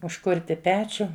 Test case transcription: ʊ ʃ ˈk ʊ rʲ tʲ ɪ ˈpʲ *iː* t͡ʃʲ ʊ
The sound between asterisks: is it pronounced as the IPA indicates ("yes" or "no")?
no